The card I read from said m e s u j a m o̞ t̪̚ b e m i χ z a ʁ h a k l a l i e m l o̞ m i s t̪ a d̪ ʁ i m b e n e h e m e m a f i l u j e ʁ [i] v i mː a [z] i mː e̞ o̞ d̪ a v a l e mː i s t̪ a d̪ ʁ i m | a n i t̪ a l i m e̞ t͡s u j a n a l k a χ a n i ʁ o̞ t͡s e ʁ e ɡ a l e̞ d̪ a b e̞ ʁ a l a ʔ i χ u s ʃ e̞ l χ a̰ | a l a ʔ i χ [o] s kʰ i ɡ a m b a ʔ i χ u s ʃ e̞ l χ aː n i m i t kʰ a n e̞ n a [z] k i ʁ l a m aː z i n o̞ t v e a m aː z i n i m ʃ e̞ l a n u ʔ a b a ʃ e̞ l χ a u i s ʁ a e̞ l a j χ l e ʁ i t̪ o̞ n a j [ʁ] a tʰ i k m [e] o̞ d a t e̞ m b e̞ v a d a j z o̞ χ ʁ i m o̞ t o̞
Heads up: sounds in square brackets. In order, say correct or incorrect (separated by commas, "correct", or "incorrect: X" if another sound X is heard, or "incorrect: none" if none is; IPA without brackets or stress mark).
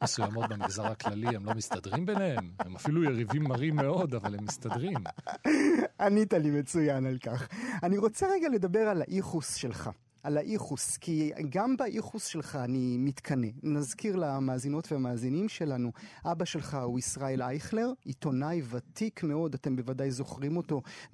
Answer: correct, incorrect: ʁ, incorrect: u, correct, incorrect: v, correct